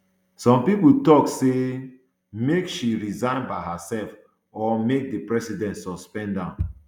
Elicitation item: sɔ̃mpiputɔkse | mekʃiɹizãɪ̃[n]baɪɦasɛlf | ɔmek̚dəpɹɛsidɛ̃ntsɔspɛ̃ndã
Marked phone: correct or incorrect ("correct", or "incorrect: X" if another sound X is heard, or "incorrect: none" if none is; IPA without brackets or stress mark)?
correct